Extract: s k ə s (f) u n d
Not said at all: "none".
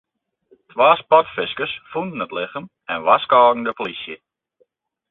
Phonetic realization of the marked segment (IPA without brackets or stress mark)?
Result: f